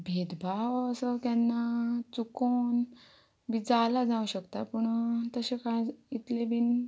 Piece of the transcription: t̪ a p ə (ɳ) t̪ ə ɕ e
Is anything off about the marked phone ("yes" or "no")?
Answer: no